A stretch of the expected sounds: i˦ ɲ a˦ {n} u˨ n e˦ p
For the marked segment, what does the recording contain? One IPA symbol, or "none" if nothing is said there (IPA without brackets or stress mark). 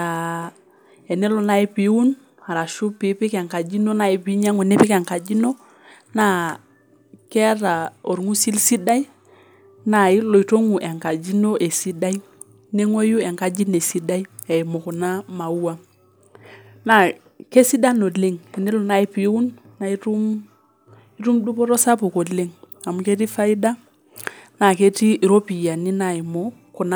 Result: ŋ